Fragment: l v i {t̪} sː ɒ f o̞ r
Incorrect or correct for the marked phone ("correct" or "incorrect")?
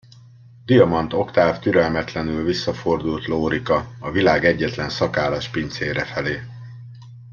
incorrect